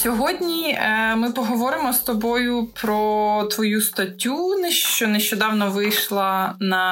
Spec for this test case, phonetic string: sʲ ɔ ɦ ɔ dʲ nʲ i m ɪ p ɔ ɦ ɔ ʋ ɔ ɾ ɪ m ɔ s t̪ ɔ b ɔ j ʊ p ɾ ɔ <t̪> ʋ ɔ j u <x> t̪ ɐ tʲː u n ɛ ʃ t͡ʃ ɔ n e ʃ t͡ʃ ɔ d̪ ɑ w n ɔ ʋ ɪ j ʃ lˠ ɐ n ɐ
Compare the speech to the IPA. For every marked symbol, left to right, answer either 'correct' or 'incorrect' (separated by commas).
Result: correct, incorrect